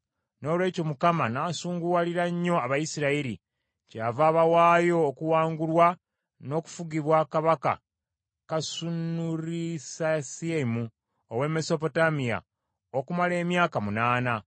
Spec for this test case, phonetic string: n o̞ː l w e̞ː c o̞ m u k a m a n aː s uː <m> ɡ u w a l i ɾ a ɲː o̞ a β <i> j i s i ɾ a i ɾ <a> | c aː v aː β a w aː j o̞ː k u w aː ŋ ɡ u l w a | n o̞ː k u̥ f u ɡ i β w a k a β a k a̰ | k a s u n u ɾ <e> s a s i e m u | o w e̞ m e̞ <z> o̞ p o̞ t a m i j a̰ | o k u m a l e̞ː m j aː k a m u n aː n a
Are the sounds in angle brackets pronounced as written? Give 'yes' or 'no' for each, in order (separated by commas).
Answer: no, no, no, no, no